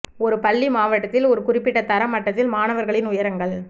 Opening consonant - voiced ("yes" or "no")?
yes